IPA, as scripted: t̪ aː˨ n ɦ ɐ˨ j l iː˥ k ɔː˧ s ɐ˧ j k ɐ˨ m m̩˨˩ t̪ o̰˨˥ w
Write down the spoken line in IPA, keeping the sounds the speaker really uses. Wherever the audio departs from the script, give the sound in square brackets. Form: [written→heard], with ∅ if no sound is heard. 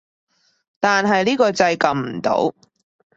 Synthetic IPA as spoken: t̪ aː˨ n ɦ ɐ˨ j l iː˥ k ɔː˧ [s→t͡s] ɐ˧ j k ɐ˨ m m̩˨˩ t̪ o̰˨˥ w